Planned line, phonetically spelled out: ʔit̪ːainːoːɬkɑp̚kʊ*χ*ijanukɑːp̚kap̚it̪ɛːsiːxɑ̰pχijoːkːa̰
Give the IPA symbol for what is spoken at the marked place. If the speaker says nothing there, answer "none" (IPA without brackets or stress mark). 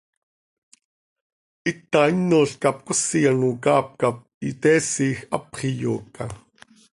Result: s